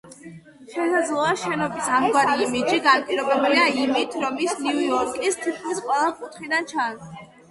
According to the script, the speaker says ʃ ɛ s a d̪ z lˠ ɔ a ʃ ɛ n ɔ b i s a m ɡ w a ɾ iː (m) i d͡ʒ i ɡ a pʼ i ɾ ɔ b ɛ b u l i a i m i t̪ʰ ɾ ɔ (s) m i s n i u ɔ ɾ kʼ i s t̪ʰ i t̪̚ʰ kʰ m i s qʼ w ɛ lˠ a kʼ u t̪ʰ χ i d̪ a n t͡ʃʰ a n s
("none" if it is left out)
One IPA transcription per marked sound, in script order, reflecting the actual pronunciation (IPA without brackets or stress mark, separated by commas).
m, none